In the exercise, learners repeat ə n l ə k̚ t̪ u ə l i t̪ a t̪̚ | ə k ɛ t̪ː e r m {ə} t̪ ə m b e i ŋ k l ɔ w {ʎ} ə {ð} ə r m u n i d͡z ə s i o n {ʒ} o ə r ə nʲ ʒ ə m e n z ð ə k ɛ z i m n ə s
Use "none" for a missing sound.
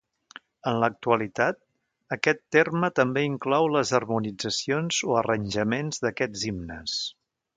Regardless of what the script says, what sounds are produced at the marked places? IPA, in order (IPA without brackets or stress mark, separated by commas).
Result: ə, l, z, z